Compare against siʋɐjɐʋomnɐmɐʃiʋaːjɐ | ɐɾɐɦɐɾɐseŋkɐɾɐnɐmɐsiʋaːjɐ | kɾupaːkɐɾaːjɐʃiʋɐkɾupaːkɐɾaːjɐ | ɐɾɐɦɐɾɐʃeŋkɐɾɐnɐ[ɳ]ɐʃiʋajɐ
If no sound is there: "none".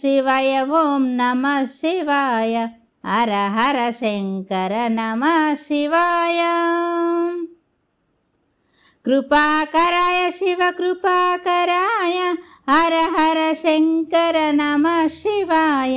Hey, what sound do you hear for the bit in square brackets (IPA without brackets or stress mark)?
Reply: m